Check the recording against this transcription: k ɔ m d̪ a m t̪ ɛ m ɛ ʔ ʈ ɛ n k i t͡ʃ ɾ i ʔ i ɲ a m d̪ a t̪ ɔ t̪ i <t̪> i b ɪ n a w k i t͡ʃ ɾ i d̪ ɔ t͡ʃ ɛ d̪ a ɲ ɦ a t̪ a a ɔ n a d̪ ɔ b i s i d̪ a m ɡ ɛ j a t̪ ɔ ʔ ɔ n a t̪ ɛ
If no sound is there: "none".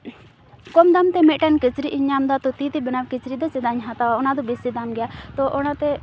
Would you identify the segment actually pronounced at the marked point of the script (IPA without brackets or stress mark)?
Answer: t̪